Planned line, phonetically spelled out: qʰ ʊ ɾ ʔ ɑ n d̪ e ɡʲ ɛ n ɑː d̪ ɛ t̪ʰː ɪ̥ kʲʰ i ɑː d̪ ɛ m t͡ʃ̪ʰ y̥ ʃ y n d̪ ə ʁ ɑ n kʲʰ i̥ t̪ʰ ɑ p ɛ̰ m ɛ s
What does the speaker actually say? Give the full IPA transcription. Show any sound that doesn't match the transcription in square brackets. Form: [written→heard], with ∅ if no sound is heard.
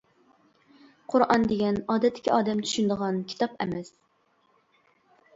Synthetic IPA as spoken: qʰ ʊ ɾ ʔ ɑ n d̪ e ɡʲ ɛ n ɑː d̪ ɛ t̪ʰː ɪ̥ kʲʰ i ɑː d̪ ɛ m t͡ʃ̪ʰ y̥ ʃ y n d̪ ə ʁ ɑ n kʲʰ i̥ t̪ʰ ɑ p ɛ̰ m ɛ s